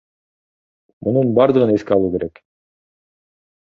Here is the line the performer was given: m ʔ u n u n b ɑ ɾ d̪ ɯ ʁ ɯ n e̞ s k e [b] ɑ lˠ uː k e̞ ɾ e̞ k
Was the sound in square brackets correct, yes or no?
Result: no